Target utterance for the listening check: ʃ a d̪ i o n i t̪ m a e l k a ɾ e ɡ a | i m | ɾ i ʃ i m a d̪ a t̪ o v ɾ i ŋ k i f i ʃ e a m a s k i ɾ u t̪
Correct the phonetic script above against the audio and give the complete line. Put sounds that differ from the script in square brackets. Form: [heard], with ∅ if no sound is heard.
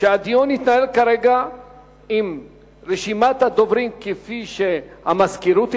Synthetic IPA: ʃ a d̪ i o n i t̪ [n] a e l k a ɾ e ɡ a | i m | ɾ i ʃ i m a [t̪] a [d̪] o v ɾ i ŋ k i f i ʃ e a m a s k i ɾ u t̪